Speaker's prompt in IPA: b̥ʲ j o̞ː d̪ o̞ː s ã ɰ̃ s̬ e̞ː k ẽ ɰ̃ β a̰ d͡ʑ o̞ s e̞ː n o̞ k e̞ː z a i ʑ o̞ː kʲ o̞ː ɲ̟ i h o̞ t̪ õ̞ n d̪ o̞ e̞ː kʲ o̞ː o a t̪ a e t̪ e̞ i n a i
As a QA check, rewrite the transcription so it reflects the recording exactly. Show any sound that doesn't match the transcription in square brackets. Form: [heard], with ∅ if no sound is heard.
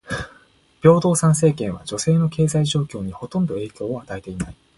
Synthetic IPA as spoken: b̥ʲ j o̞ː d̪ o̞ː s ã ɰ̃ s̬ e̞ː k ẽ ɰ̃ β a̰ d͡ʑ o̞ s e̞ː n o̞ k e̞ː z a i ʑ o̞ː kʲ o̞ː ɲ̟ i h o̞ t̪ õ̞ n d̪ o̞ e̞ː kʲ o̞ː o a t̪ a e t̪ e̞ i n a i